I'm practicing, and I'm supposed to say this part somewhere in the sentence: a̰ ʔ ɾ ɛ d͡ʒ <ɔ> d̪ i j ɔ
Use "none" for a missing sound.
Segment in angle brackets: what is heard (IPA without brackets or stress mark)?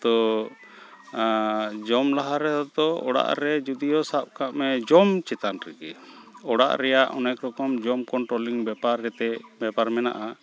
u